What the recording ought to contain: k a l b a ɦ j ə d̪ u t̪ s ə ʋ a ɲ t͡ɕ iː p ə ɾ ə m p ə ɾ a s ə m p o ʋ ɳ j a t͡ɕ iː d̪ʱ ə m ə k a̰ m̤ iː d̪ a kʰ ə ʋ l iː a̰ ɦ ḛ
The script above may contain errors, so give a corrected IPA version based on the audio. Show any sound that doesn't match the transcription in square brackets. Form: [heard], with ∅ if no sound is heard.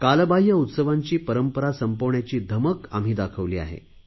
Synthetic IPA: k a l b a ɦ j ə [∅] u t̪ s ə ʋ a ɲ t͡ɕ iː p ə ɾ ə m p ə ɾ a s ə m p o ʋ ɳ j a t͡ɕ iː d̪ʱ ə m ə k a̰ m̤ iː d̪ a kʰ ə ʋ l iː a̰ ɦ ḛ